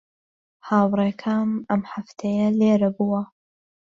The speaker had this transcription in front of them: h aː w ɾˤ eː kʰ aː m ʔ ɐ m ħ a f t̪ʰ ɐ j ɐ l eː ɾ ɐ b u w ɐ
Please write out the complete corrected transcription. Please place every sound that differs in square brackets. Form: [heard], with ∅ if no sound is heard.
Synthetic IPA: h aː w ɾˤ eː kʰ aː m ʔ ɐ m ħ a f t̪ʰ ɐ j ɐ l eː ɾ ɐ b u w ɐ